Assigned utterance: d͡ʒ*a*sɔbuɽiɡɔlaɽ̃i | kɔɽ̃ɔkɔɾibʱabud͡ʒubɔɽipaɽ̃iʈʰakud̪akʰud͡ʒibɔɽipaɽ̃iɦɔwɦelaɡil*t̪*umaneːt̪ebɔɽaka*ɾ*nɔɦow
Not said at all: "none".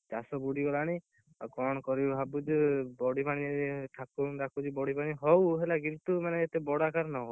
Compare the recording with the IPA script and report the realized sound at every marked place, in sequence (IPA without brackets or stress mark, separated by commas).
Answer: a, t̪, ɾ